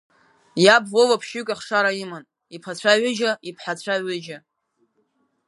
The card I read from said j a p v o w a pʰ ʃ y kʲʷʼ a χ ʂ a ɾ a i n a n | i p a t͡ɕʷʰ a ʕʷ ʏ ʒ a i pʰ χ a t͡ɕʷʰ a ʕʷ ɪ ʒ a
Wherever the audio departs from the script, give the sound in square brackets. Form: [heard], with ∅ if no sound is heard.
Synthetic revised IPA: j a [b] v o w a pʰ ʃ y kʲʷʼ a χ ʂ a ɾ a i [m] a n | i [pʰ] a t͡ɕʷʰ a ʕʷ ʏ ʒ a i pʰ [ħ] a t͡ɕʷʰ a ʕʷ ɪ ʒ a